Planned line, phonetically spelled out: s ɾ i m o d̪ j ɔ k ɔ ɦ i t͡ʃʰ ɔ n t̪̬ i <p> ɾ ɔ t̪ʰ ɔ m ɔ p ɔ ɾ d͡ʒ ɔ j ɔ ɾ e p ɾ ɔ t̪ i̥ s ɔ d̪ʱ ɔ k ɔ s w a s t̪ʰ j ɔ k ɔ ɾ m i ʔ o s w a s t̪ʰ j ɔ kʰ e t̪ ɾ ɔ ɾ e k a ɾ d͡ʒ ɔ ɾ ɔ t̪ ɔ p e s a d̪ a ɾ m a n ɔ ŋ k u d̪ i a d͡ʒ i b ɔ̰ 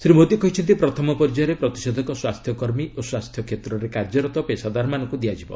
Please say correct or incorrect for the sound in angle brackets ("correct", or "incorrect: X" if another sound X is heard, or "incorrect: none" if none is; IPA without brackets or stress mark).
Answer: correct